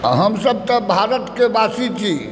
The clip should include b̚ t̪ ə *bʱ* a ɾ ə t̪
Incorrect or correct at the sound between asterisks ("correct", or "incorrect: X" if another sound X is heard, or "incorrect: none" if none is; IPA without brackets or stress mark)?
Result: correct